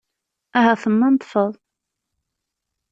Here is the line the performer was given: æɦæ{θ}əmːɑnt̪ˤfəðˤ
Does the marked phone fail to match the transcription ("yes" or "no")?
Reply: no